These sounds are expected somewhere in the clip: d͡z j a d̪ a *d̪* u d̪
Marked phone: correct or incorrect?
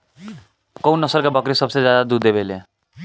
correct